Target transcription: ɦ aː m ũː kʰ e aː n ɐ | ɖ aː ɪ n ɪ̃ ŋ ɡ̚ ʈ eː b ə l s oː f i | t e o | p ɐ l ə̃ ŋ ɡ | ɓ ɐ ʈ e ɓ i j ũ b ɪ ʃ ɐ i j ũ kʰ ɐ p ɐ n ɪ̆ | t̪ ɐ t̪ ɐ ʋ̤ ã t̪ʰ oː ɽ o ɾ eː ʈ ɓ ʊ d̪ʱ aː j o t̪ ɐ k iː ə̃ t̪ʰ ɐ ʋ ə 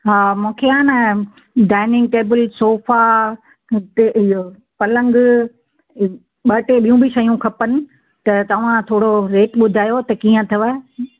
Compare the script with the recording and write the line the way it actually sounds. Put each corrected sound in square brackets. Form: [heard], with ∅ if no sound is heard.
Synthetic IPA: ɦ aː m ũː kʰ e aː n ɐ | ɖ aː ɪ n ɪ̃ ŋ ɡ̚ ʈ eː b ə l s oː f [a] | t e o | p ɐ l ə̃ ŋ ɡ | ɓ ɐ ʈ e ɓ i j ũ b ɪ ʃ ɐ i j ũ kʰ ɐ p [ə] n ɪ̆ | t̪ ɐ t̪ ɐ ʋ̤ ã t̪ʰ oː ɽ o ɾ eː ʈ ɓ ʊ d̪ʱ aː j o t̪ ɐ k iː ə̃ t̪ʰ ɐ ʋ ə